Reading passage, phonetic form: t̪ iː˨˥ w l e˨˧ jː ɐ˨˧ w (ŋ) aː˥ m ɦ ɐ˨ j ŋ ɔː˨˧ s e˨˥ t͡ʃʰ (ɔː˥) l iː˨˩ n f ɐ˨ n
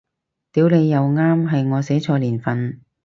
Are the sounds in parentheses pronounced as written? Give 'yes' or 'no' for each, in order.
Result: yes, no

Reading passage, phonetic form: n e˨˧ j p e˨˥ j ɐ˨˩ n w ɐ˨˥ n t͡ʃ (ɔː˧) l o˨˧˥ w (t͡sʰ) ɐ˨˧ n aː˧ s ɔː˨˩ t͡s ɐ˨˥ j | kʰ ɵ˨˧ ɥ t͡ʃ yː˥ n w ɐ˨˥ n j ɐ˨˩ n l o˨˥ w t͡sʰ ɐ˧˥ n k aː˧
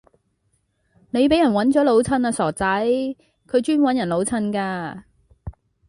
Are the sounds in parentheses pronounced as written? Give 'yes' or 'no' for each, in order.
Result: no, yes

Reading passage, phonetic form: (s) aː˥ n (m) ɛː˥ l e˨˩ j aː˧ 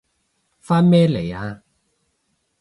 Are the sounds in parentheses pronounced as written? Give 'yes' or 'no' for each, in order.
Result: no, yes

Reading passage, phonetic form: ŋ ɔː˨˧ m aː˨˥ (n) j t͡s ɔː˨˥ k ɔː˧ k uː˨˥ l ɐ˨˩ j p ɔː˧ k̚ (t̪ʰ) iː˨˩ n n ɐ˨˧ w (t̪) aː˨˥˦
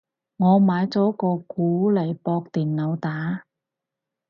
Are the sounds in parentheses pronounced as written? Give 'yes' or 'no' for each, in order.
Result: no, no, yes

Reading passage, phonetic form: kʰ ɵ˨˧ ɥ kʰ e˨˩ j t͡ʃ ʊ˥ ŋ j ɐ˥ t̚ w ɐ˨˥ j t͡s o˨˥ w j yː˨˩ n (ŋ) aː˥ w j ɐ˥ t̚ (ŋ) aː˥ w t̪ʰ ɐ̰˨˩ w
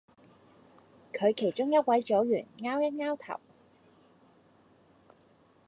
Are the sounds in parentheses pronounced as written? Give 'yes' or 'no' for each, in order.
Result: yes, yes

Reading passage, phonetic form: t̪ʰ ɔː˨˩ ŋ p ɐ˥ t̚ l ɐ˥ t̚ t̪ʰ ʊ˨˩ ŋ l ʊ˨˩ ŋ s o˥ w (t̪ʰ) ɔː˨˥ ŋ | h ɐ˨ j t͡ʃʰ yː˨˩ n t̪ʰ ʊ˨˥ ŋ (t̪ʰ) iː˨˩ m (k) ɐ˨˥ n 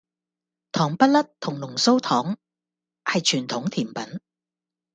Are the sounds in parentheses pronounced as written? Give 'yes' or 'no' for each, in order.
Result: yes, yes, no

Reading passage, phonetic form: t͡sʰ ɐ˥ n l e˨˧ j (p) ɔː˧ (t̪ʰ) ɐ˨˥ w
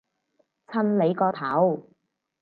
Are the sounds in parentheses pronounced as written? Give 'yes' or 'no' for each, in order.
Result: no, yes

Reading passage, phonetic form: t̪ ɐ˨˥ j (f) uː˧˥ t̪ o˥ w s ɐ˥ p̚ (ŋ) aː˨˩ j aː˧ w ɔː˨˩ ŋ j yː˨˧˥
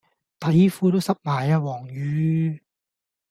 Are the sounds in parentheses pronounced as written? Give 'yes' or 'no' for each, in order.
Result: yes, no

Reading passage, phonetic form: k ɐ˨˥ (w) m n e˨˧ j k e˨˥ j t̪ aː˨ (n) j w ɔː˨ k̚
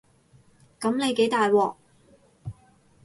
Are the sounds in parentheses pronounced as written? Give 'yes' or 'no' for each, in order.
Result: no, no

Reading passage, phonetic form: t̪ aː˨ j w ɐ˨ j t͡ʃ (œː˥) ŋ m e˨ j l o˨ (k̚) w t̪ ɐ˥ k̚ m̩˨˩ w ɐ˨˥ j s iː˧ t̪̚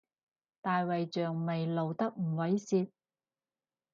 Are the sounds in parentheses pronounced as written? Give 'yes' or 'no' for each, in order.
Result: no, no

